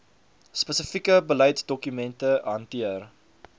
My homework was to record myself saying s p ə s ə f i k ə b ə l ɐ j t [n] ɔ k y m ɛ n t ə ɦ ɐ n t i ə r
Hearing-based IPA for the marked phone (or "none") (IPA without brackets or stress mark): d